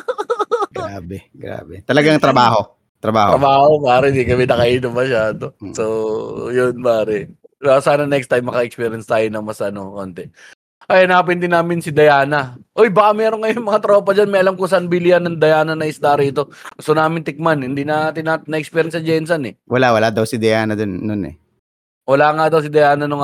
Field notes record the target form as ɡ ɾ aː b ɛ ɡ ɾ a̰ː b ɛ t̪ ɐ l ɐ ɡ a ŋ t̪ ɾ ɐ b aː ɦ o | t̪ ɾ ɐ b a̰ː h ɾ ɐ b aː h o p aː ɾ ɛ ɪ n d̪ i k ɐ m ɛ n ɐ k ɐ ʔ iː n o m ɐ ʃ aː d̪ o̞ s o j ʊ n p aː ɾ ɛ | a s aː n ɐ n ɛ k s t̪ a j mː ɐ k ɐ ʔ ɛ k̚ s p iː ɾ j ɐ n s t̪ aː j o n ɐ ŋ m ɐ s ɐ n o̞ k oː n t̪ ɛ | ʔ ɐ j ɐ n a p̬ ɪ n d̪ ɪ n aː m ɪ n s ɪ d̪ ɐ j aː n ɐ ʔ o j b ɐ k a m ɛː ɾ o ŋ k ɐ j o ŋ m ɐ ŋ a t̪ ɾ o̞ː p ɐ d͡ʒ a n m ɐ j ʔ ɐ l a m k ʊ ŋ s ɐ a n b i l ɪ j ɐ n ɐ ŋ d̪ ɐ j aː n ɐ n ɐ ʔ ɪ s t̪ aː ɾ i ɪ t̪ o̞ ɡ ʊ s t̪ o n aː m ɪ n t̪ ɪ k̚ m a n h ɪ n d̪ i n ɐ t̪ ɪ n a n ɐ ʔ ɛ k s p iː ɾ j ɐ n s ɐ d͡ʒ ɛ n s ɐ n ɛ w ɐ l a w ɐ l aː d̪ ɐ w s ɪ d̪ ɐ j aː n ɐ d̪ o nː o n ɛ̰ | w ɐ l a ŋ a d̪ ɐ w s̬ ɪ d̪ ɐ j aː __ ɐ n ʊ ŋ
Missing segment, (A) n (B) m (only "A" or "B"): A